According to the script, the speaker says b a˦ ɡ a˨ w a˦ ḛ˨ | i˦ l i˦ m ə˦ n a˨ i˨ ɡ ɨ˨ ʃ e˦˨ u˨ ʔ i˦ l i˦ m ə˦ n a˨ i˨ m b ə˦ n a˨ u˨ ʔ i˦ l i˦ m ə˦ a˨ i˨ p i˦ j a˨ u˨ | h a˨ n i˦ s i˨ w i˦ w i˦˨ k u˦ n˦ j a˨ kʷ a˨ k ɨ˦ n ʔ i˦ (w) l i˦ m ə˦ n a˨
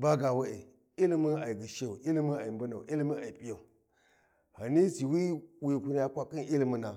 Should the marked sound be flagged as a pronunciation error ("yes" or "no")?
yes